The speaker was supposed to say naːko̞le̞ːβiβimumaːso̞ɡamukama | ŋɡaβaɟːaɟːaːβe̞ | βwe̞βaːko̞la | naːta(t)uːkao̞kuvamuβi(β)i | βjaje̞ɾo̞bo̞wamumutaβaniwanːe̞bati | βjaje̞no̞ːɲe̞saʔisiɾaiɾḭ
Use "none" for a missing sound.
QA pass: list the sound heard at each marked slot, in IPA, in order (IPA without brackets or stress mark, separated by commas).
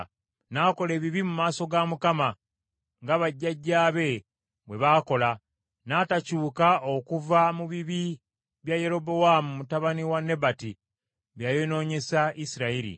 c, β